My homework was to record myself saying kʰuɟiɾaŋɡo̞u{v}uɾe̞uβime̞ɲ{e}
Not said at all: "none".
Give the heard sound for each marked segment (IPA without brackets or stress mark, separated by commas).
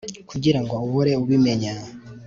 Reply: β, a